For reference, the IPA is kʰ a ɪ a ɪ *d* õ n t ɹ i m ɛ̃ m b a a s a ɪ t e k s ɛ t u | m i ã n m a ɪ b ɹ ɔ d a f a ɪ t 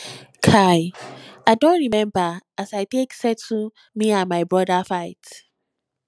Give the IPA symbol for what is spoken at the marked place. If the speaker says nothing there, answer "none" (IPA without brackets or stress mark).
d